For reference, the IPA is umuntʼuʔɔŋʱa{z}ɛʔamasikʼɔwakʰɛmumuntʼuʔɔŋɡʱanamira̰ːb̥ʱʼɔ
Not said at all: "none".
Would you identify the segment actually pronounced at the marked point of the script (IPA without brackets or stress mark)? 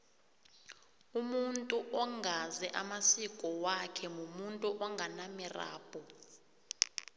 z